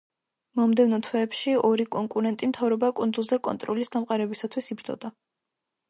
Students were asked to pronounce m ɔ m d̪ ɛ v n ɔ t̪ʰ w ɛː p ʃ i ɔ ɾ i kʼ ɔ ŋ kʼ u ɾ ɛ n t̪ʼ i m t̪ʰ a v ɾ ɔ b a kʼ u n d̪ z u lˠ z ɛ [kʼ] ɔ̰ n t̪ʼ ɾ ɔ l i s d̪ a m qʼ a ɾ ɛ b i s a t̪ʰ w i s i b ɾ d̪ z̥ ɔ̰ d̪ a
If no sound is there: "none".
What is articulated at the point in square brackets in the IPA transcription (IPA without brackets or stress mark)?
kʼ